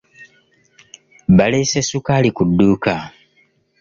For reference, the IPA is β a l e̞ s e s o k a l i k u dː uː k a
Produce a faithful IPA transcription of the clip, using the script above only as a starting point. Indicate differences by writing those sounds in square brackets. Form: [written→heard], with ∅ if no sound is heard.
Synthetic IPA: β a l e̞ s e s [o→u] k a l i k u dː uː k a